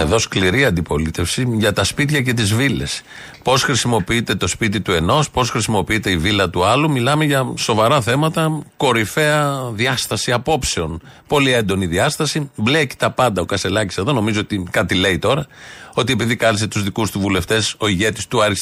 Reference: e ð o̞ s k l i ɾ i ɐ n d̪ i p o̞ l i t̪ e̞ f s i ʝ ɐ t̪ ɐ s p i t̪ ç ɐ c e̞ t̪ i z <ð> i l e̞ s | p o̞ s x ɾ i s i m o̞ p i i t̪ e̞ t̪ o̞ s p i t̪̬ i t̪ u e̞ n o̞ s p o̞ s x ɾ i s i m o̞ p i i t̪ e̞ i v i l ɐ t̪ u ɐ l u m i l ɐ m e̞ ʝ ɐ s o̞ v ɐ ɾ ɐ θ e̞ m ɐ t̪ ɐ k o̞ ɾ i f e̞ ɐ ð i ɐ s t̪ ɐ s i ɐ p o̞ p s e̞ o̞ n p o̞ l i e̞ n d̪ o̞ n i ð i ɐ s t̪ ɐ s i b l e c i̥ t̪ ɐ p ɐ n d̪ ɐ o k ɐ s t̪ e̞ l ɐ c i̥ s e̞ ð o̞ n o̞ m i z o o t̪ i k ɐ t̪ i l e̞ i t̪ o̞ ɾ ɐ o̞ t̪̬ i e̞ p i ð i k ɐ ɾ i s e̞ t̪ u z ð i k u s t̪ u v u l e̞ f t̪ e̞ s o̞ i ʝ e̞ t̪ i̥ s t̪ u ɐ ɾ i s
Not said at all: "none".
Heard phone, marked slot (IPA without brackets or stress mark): v